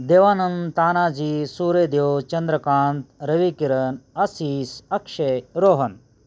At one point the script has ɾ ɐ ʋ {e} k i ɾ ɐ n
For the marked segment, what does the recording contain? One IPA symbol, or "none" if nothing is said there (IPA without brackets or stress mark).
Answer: i